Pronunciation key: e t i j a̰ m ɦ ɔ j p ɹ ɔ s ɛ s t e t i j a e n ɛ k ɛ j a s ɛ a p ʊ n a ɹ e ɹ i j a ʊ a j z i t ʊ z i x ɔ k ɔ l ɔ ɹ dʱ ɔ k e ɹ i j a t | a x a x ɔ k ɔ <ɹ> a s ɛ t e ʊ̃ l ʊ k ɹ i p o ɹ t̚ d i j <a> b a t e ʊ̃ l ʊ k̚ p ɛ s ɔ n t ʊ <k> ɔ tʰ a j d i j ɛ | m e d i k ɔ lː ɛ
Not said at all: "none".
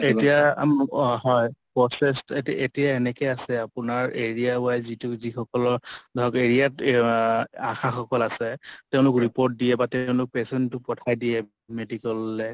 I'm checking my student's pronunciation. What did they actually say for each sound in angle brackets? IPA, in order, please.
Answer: l, ɛ, p

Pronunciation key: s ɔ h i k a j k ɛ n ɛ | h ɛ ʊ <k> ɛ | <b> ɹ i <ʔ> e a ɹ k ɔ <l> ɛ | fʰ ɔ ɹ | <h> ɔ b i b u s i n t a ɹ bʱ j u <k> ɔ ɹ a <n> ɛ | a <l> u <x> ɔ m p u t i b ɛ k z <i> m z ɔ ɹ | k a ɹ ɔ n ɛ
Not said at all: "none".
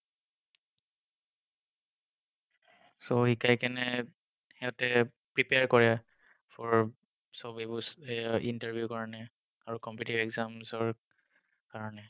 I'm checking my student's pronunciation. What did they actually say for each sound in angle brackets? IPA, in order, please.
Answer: t, p, p, ɹ, s, k, n, ɹ, k, a

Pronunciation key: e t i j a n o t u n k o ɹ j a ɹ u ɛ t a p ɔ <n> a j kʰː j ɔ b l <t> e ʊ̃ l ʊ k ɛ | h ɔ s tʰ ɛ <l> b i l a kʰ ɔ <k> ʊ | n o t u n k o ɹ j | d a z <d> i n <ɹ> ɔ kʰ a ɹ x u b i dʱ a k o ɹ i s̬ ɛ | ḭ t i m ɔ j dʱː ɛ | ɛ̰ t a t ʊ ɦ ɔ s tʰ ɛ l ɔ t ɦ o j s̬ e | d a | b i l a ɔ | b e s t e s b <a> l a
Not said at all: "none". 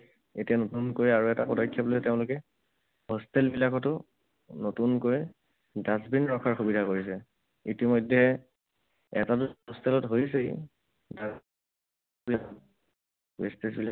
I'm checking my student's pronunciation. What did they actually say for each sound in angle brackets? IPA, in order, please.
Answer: d, t, l, t, b, ɹ, i

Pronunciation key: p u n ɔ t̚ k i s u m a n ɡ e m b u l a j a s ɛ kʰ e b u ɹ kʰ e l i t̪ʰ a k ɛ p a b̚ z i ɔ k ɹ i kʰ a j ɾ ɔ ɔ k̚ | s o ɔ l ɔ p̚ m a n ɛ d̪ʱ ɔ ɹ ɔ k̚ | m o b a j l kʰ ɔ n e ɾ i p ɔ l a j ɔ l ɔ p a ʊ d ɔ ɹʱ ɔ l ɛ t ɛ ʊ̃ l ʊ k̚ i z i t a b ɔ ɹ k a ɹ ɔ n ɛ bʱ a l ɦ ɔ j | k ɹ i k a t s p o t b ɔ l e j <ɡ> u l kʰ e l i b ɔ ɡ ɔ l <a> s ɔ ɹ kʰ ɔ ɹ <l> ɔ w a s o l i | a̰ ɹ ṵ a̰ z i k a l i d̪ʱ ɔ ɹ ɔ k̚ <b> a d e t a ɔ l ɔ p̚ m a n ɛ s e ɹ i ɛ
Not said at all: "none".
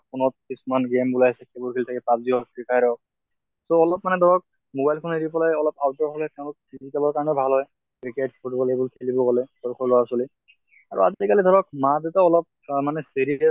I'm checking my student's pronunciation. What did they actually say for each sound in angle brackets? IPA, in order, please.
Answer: b, ɛ, l, m

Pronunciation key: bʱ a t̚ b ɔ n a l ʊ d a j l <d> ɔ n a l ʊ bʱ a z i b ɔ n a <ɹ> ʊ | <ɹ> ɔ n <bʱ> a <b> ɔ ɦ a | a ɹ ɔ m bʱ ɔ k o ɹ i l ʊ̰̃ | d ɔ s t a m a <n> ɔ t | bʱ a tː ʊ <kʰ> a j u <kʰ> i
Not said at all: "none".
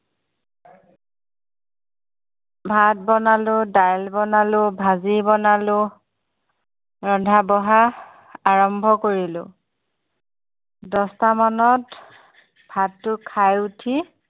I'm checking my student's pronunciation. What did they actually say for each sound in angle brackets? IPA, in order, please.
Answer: b, l, ɹ, dʱ, b, n, kʰ, tʰ

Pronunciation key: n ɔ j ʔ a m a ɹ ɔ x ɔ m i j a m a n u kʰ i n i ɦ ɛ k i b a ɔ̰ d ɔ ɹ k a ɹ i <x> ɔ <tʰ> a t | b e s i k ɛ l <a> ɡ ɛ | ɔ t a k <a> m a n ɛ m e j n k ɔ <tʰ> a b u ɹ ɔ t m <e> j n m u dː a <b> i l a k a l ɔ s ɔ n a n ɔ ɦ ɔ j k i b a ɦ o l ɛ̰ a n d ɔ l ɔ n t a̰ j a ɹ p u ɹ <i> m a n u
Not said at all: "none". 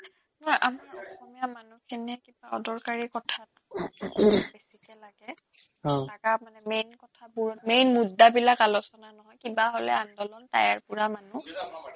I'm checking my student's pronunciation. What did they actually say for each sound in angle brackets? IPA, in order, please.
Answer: k, tʰ, a, a, tʰ, e, b, a

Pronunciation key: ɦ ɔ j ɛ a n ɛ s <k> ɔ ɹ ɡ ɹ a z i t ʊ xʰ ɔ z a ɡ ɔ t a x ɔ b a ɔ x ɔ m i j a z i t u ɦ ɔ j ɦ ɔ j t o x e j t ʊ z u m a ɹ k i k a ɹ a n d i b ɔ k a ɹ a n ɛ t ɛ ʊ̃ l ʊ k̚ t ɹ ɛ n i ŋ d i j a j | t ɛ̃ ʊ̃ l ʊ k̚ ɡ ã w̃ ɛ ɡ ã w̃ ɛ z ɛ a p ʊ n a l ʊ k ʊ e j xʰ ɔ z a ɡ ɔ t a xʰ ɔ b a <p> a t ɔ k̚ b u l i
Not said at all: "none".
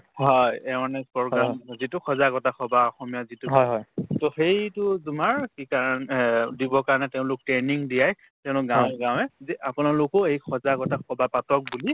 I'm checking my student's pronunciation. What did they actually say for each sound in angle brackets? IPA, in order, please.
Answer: p, p

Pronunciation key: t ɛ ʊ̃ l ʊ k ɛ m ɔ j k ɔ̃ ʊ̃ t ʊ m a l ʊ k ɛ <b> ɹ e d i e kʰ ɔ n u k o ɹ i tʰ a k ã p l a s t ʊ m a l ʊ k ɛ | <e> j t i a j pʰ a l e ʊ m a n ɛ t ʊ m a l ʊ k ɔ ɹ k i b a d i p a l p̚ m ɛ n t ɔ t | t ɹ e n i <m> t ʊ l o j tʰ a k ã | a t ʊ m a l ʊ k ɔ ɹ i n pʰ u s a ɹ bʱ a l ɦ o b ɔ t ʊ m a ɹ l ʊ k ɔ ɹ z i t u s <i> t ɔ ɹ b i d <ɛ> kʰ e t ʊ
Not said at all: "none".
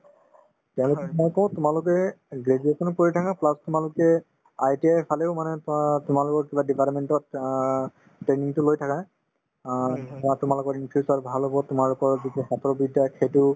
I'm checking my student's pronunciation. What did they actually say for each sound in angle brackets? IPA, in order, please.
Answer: ɡ, a, ŋ, a, a

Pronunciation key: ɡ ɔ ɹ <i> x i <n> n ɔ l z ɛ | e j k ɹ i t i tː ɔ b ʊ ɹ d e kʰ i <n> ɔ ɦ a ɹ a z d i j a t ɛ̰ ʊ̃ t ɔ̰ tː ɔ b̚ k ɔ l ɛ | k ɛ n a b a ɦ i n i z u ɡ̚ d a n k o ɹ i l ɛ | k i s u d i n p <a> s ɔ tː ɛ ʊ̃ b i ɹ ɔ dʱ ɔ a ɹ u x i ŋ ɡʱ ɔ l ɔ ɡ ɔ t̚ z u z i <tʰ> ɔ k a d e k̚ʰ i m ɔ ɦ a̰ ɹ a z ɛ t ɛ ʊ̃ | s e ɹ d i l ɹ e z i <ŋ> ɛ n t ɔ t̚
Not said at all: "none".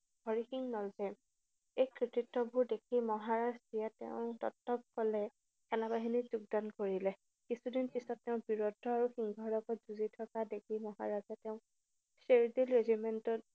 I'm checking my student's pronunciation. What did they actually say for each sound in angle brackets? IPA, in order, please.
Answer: i, ŋ, m, i, tʰ, m

